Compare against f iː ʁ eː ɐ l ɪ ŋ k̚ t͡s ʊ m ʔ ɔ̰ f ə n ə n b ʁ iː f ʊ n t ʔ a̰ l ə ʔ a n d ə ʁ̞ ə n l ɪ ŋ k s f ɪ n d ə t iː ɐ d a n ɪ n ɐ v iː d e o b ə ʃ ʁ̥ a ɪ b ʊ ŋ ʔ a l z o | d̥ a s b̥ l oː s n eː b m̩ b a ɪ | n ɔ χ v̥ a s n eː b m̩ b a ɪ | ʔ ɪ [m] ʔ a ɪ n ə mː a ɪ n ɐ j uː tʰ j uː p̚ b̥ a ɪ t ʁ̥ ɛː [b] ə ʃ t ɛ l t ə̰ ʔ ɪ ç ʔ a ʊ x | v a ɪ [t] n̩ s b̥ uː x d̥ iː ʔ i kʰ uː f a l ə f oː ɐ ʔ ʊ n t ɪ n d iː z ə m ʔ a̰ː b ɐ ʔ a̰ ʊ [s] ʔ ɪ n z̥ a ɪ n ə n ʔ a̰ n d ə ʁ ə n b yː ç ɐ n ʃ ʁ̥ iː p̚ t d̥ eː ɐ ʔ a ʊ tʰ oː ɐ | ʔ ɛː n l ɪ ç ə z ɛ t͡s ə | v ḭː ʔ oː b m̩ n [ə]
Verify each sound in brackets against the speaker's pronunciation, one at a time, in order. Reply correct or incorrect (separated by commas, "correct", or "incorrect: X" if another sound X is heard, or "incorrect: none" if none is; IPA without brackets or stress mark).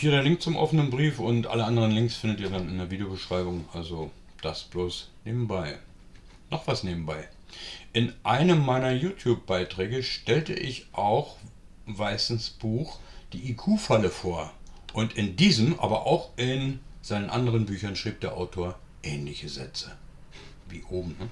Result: incorrect: n, incorrect: ɡ, incorrect: s, incorrect: x, correct